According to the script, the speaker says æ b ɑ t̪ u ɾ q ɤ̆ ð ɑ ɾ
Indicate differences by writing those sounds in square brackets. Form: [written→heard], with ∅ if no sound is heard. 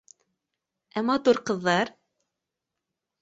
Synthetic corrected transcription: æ [b→m] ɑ t̪ u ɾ q ɤ̆ [ð→ðː] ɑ ɾ

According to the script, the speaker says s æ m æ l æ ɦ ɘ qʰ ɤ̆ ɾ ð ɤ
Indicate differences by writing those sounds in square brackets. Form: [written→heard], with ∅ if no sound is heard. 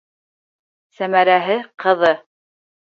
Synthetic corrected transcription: s æ m æ [l→ɾ] æ ɦ ɘ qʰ ɤ̆ [ɾ→∅] ð ɤ

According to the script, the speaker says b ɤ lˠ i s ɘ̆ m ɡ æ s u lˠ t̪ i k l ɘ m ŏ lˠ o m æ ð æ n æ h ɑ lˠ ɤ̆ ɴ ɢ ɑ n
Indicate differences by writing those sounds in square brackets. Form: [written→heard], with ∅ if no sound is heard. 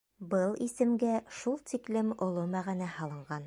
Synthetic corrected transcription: b ɤ lˠ i s ɘ̆ m ɡ æ [s→ʃ] u lˠ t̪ i k l ɘ m ŏ lˠ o m æ [ð→ʁ] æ n æ h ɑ lˠ ɤ̆ ɴ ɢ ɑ n

